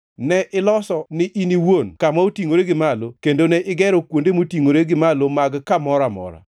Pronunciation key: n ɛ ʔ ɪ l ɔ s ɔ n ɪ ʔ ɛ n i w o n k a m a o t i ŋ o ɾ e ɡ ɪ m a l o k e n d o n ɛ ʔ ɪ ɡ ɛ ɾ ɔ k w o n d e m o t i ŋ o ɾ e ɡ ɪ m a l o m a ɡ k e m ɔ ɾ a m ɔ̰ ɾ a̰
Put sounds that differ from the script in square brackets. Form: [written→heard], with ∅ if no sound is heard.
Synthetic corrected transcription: n ɛ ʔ ɪ l ɔ s ɔ n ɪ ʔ [ɛ→i] n i w o n k a m a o t i ŋ o ɾ e ɡ ɪ m a l o k e n d o n ɛ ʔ ɪ ɡ ɛ ɾ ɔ k w o n d e m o t i ŋ o ɾ e ɡ ɪ m a l o m a ɡ k [e→a] m ɔ ɾ a m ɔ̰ ɾ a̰